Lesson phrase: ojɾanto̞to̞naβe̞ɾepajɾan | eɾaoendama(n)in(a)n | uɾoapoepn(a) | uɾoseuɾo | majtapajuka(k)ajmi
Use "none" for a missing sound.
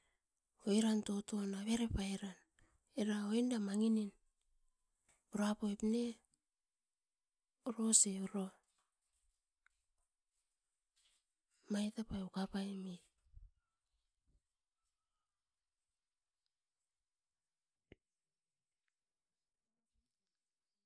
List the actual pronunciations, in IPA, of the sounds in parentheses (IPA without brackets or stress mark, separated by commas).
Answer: ŋ, i, e, p